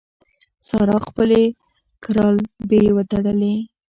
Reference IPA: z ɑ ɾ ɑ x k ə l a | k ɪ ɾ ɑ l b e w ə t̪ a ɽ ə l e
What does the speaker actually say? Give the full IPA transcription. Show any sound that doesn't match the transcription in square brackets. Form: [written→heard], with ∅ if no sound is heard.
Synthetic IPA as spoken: [z→s] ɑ ɾ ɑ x [k→p] ə l [a→e] | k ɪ ɾ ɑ l b e w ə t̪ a ɽ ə l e